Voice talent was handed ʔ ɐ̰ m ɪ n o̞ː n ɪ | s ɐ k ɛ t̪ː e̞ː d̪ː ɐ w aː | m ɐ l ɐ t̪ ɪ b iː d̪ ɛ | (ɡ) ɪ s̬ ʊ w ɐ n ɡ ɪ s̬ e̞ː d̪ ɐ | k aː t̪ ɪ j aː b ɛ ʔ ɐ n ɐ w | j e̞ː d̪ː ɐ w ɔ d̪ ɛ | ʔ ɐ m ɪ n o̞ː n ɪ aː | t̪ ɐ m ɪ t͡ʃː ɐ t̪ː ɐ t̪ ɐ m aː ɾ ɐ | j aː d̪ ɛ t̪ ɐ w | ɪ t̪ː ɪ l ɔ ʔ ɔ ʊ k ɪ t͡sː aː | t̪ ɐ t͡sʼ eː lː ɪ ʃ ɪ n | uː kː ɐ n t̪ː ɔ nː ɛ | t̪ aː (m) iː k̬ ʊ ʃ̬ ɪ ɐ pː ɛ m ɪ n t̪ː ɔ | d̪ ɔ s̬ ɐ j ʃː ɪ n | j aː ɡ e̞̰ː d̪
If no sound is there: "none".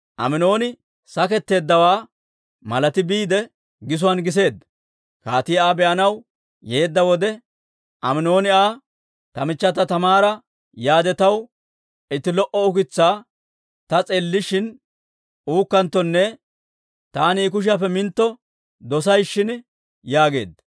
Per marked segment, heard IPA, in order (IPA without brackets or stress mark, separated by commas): ɡ, n